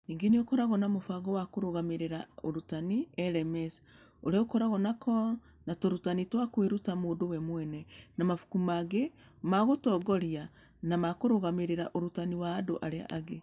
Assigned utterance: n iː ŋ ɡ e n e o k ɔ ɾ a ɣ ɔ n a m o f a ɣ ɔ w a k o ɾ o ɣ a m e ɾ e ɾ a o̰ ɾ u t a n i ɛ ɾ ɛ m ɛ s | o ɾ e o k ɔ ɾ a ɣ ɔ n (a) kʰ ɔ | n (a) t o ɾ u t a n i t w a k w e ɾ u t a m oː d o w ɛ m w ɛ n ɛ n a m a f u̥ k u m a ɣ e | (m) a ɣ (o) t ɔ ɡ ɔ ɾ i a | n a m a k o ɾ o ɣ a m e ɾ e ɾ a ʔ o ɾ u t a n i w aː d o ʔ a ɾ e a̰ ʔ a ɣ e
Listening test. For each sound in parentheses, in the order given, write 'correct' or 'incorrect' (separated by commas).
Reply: correct, correct, correct, correct